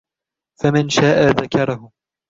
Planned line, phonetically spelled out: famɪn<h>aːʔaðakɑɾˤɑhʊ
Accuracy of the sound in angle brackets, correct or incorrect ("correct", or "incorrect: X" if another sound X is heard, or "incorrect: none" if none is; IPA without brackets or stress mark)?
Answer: incorrect: ʃ